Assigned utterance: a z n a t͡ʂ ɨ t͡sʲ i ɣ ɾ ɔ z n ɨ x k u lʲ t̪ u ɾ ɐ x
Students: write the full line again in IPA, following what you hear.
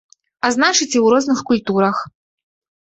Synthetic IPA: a z n a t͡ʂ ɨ t͡sʲ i w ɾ ɔ z n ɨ x k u lʲ t̪ u ɾ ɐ x